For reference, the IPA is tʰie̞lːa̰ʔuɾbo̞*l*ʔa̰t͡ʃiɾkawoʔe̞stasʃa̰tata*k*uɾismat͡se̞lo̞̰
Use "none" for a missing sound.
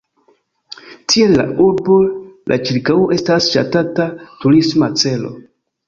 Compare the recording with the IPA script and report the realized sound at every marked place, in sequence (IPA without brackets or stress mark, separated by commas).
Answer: l, t